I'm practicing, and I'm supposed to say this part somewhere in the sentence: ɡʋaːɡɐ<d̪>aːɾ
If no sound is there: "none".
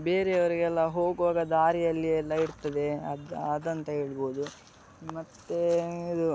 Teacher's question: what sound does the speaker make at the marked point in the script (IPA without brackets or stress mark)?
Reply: d̪